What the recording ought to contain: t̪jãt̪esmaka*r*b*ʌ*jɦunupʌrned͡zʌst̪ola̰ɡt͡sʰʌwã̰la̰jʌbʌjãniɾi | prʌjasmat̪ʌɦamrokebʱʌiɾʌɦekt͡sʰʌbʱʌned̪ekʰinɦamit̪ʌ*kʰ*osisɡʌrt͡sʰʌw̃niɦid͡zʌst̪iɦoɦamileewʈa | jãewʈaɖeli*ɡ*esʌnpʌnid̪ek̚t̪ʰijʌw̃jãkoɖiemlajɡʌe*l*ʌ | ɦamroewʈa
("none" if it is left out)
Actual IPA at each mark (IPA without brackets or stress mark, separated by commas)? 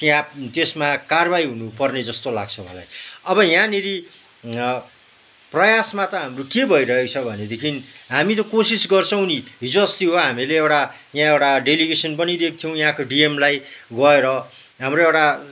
r, a, k, ɡ, ɾ